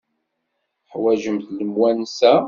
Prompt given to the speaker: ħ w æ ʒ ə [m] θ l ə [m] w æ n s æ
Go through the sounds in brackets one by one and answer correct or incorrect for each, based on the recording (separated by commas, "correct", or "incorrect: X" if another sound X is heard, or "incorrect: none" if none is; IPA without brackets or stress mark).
correct, correct